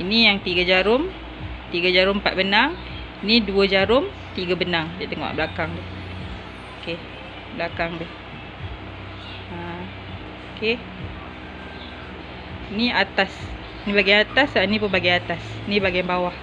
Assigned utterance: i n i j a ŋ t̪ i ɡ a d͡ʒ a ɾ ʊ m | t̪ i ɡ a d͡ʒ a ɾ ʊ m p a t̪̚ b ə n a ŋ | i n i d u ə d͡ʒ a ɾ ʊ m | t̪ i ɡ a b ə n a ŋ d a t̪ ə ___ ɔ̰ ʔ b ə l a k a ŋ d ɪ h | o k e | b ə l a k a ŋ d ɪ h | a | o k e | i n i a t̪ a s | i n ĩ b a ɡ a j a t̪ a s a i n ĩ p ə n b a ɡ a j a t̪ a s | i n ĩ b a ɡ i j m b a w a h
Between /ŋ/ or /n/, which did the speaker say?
ŋ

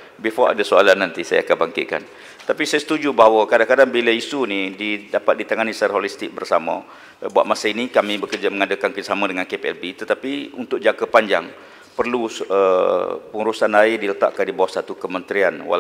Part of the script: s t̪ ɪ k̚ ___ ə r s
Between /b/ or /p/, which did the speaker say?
b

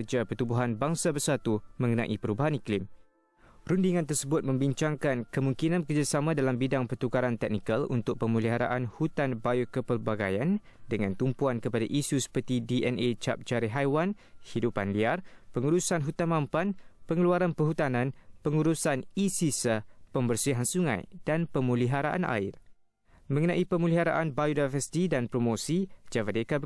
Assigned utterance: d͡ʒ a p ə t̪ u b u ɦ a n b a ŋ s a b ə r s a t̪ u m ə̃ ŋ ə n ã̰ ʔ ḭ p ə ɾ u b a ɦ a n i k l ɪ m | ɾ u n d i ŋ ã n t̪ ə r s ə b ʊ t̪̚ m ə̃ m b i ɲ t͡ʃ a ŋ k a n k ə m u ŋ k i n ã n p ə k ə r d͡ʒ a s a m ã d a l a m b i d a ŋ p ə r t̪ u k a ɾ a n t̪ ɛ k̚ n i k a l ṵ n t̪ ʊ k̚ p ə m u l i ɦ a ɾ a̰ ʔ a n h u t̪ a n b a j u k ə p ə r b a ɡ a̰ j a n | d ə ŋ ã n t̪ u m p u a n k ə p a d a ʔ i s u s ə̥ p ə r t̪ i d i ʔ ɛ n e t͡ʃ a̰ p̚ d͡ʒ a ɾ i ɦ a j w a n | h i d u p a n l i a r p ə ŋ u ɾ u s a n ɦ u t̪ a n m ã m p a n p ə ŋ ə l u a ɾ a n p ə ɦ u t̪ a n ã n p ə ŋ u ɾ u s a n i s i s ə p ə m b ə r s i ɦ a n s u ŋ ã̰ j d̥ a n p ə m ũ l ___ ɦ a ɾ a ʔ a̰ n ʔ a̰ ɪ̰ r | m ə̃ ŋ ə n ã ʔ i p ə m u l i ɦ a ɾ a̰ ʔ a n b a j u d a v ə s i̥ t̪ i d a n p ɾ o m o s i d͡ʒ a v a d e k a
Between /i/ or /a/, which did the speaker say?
i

